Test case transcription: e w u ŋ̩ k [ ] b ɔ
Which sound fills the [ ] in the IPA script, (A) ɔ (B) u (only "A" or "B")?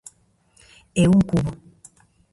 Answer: B